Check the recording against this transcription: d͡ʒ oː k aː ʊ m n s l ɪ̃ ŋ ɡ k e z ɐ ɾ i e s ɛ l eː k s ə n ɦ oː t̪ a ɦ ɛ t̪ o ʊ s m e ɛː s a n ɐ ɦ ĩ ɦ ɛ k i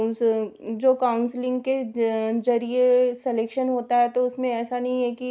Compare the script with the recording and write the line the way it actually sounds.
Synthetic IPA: d͡ʒ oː k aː ʊ n s l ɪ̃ ŋ ɡ k e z ɐ ɾ i e s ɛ l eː k ʃ ə n ɦ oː t̪ a ɦ ɛ t̪ o ʊ s m ẽ ɛː s a n ɐ ɦ ĩ ɦ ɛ k i